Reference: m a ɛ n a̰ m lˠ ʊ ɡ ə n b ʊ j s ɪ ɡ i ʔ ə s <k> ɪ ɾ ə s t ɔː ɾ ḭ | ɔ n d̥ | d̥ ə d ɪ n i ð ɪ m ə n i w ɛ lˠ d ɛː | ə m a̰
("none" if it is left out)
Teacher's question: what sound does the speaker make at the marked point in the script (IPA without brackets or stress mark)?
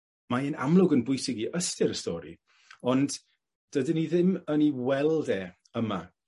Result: t